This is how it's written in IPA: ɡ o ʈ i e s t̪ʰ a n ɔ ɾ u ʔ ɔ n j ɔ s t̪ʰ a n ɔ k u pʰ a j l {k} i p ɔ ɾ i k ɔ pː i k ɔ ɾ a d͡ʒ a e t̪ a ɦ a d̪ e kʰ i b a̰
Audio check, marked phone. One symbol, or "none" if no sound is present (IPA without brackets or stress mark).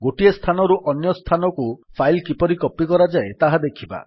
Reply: k